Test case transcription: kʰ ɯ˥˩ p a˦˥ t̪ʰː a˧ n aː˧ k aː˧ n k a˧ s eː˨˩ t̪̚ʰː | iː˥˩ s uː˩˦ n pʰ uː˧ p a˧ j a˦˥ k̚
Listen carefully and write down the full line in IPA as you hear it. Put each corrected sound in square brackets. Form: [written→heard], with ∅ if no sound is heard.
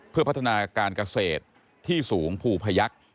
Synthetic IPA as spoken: [kʰ→pʰ] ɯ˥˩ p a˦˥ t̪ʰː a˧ n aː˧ k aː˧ n k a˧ s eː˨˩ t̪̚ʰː | iː˥˩ s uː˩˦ [n→ŋ] pʰ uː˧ [p→pʰ] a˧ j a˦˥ k̚